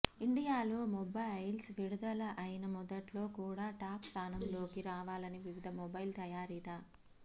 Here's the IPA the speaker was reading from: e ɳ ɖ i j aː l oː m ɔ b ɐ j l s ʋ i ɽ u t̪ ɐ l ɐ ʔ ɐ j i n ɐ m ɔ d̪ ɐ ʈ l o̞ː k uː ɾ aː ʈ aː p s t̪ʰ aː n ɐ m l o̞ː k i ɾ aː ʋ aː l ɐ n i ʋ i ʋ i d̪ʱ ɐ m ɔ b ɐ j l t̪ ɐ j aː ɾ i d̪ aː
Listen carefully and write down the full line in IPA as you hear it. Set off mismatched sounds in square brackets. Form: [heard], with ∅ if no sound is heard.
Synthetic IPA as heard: [i] ɳ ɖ i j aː l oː m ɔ b ɐ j l s ʋ i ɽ u [d̪] ɐ l ɐ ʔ ɐ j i n ɐ m ɔ d̪ ɐ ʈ l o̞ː k uː [ɽ] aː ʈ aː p s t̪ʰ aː n ɐ m l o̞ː k i ɾ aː ʋ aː l ɐ n i ʋ i ʋ i d̪ʱ ɐ m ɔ b ɐ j l t̪ ɐ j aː ɾ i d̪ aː